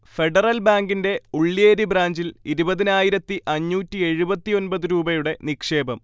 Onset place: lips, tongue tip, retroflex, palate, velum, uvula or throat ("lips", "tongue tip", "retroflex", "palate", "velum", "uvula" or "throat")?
lips